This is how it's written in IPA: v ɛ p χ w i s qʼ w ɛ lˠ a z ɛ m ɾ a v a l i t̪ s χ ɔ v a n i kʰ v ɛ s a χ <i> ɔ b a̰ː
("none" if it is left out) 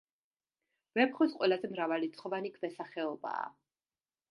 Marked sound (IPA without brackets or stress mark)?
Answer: ɛ